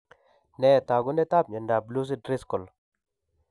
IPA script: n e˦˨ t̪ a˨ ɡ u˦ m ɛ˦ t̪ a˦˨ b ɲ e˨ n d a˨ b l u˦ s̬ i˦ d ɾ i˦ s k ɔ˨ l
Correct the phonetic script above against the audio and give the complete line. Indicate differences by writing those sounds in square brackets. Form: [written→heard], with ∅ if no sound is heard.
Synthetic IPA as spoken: n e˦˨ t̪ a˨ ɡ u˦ [m→n] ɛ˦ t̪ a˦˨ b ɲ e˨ n d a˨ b l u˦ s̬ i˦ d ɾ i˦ s k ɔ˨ l